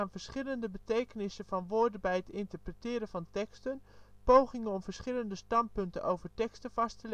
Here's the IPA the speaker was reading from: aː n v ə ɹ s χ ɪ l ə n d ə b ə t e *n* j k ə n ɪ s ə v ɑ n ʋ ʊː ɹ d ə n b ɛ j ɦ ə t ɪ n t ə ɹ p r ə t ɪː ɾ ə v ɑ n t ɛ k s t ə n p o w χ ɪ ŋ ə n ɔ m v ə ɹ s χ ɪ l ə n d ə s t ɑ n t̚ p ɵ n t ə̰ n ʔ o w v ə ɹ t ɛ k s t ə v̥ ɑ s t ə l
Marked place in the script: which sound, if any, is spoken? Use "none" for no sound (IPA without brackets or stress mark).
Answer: none